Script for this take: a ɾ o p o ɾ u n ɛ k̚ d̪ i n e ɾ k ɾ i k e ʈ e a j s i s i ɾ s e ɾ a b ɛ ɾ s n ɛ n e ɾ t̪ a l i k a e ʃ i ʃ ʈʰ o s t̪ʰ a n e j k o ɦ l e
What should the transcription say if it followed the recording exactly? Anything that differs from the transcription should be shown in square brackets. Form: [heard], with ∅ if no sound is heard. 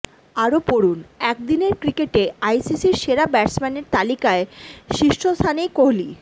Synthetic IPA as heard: a ɾ o p o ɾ u n ɛ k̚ d̪ i n e ɾ k ɾ i k e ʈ e a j s i s i ɾ [ʃ] e ɾ a b ɛ ɾ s [m] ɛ n e ɾ t̪ a l i k a e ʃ i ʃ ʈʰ o s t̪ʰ a n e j k o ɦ l [i]